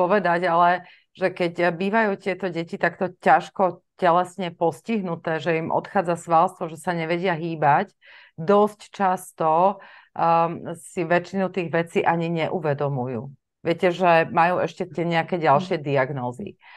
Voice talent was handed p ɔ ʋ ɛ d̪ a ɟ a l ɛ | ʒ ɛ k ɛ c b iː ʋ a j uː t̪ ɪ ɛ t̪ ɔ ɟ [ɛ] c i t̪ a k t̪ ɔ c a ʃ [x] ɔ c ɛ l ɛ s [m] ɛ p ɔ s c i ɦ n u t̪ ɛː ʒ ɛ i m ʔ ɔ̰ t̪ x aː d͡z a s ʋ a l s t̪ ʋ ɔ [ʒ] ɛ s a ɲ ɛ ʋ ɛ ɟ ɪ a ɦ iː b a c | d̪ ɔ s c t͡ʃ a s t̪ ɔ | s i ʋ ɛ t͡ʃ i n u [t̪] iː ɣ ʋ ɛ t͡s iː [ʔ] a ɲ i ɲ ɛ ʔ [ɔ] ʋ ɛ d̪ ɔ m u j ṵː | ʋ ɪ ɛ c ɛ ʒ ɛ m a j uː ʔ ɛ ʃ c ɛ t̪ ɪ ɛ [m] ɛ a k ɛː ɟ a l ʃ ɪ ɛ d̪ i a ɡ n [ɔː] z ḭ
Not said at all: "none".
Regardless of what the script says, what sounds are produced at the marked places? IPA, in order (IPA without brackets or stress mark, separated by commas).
ɛ, k, ɲ, ʒ, t̪, ʔ, u, ɲ, ɔː